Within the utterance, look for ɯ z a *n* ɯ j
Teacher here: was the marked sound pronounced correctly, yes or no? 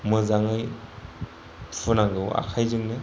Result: no